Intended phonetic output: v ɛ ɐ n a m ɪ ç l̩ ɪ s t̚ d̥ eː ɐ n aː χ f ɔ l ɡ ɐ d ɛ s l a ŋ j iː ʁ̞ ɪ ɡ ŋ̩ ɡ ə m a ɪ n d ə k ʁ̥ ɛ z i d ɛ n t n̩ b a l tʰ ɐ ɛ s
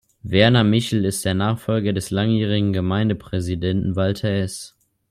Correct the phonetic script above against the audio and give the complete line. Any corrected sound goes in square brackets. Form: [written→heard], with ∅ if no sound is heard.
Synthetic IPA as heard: v ɛ ɐ n a m ɪ ç l̩ ɪ s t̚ d̥ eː ɐ n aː χ f ɔ l ɡ ɐ d ɛ s l a ŋ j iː ʁ̞ ɪ ɡ ŋ̩ ɡ ə m a ɪ n d ə [k→p] ʁ̥ ɛ z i d ɛ n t n̩ [b→v] a l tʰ ɐ ɛ s